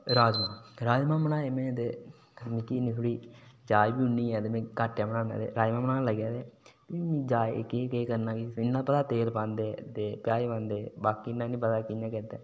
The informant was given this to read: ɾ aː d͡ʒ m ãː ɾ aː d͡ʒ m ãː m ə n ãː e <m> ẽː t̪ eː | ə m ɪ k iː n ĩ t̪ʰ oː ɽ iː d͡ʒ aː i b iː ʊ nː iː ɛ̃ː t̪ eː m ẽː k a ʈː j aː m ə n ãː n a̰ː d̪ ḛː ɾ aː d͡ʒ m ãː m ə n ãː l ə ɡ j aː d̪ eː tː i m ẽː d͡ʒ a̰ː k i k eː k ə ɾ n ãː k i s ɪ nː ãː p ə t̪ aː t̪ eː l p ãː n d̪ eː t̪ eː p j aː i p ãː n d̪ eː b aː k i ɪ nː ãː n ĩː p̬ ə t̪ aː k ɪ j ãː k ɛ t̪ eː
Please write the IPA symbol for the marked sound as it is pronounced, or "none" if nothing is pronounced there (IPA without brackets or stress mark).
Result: m